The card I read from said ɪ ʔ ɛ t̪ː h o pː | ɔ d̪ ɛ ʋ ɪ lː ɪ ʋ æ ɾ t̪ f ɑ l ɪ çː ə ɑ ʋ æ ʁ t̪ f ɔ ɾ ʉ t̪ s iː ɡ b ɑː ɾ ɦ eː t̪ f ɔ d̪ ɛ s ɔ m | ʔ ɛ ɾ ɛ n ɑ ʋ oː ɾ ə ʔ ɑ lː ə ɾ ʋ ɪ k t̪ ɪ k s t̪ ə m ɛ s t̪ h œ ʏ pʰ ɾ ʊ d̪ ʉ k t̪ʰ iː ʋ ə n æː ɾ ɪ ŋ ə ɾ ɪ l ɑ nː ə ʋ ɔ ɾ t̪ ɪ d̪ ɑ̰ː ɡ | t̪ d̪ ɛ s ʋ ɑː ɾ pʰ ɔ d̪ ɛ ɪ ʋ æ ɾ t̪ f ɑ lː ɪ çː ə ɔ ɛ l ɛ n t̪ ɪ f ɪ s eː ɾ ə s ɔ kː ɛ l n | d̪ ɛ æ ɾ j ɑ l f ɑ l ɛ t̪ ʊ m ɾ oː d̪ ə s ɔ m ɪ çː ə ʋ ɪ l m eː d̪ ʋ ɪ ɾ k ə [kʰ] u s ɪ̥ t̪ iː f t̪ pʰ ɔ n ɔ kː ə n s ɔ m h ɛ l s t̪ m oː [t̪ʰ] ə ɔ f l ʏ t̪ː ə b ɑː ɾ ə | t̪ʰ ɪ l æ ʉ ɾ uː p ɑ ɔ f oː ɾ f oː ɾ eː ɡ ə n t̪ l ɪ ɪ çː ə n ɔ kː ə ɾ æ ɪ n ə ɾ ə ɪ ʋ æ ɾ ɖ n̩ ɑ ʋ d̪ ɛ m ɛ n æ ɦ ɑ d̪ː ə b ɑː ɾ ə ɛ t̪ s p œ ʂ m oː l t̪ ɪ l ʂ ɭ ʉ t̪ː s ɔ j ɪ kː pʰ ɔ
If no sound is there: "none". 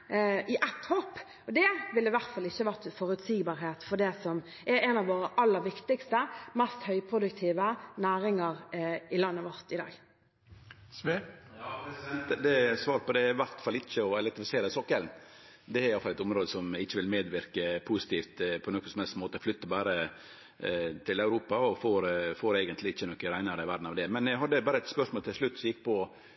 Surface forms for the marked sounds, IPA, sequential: pʰ, t̪

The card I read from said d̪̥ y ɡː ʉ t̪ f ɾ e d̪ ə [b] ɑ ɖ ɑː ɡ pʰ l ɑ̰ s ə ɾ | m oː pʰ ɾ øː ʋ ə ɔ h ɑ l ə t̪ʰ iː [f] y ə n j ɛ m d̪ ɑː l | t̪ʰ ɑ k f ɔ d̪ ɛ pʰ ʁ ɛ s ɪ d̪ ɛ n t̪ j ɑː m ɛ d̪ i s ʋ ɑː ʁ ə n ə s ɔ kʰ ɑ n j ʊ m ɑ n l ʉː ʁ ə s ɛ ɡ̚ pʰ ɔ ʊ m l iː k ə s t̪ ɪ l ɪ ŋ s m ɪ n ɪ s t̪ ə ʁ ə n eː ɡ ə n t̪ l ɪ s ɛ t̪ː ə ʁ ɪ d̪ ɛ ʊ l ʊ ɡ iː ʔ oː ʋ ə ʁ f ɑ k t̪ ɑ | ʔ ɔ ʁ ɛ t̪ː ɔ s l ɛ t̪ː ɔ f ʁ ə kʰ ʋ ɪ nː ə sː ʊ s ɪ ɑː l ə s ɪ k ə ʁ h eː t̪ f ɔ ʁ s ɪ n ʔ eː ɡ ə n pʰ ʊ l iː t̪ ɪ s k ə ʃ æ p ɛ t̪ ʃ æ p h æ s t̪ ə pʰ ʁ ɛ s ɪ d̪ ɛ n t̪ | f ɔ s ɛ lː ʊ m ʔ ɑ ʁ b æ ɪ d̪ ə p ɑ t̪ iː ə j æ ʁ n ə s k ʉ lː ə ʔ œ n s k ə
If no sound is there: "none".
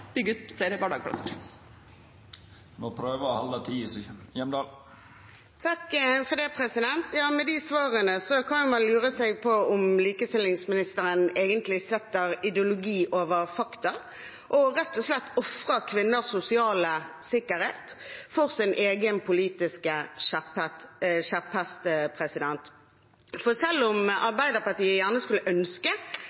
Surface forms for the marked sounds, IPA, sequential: b, s

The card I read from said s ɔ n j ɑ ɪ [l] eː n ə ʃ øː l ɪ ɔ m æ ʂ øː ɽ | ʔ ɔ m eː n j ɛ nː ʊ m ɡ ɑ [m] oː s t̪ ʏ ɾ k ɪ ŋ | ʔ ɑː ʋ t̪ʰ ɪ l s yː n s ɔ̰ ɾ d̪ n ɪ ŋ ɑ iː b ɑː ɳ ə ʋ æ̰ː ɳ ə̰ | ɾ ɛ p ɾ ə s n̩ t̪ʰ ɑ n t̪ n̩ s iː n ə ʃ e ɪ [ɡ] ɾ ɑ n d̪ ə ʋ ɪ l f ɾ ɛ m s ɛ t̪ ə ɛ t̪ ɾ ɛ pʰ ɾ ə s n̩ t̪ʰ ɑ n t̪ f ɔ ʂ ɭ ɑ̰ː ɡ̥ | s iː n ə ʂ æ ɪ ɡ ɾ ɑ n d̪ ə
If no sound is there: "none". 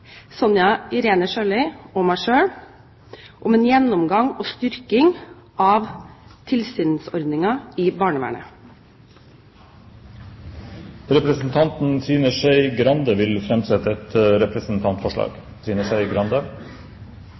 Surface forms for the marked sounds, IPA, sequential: ɾ, ŋ, ɡ

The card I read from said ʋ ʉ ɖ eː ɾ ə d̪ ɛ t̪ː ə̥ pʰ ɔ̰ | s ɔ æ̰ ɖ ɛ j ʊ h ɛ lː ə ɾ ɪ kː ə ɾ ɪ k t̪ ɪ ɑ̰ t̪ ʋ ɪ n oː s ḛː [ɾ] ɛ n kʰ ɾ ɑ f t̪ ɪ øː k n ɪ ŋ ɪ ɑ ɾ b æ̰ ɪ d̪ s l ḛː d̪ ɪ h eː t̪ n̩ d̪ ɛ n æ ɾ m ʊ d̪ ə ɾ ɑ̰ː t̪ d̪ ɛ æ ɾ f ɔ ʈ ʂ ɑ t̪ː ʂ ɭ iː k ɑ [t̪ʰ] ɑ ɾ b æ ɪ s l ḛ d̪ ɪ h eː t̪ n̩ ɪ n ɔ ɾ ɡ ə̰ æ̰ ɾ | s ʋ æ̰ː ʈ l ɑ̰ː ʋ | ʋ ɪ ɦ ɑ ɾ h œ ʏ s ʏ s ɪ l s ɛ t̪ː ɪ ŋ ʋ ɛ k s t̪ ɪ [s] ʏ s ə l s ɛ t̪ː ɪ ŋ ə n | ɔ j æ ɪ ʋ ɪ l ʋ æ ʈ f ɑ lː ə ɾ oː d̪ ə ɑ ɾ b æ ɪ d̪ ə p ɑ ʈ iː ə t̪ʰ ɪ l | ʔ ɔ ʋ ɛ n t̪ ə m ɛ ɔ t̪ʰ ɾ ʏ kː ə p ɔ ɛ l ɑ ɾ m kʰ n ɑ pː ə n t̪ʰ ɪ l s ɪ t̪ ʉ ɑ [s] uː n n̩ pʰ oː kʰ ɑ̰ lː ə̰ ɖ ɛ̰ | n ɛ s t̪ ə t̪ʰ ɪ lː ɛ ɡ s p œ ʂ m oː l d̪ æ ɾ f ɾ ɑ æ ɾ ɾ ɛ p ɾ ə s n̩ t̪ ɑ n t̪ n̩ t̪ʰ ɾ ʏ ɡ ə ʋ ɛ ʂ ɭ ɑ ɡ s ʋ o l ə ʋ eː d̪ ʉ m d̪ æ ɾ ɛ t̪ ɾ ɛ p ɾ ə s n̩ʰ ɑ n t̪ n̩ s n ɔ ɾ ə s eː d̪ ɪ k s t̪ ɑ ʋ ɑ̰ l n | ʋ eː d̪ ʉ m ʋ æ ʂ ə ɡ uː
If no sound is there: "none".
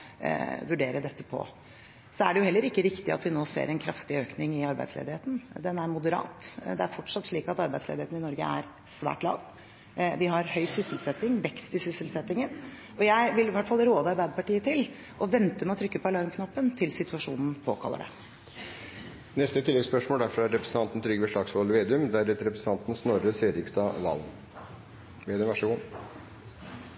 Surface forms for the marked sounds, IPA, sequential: ɾ, t̪, s, ʂ

